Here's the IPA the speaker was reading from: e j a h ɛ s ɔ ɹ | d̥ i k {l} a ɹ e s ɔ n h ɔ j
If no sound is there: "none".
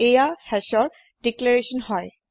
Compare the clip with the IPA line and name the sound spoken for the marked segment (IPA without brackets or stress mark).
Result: l